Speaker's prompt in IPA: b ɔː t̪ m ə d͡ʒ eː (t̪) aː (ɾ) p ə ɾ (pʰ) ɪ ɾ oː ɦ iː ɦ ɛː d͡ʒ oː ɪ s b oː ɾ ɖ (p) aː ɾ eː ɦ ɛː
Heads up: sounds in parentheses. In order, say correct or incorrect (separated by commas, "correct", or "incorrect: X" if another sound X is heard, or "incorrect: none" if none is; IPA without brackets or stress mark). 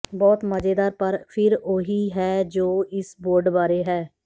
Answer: incorrect: d̪, correct, correct, incorrect: b